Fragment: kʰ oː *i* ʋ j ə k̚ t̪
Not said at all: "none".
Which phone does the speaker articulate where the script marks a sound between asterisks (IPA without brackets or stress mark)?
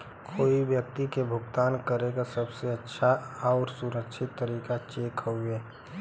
i